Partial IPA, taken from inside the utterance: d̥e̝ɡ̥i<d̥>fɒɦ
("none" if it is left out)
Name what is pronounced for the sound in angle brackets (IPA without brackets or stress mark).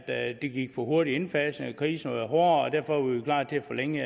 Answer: ɡ̥